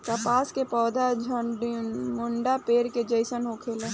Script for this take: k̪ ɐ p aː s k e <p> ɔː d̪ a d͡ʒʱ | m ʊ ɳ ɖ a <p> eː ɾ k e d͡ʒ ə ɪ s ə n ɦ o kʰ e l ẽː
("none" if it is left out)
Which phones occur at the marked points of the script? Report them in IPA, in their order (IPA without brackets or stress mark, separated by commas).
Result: p, p